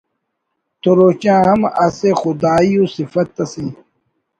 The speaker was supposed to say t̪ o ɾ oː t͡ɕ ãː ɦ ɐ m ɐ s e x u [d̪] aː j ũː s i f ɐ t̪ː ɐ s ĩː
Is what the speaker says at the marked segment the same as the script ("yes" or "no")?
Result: yes